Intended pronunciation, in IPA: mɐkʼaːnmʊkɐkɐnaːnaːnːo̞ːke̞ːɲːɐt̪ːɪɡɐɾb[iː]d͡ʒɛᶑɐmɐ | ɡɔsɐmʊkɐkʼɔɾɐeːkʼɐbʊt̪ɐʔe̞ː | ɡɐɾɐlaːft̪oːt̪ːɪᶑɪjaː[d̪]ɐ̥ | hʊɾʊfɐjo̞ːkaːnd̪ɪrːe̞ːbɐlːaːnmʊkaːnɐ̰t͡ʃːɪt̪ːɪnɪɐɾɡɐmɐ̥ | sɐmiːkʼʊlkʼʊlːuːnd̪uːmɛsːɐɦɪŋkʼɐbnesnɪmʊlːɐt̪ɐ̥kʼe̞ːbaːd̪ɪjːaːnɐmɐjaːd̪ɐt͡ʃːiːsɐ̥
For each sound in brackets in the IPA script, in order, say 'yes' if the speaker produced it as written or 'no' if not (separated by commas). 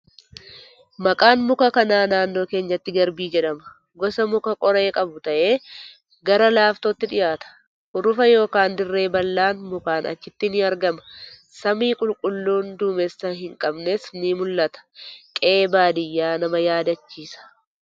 yes, no